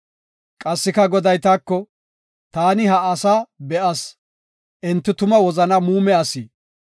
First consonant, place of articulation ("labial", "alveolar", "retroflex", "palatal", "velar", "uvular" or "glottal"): velar